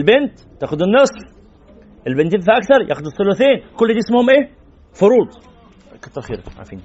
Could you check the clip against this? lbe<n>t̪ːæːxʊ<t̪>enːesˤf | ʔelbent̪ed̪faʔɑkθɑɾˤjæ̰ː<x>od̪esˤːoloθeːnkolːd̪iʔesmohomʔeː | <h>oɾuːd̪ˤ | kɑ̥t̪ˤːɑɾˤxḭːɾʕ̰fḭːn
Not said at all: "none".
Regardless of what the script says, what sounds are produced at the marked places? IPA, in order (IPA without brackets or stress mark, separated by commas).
n, d̪, x, f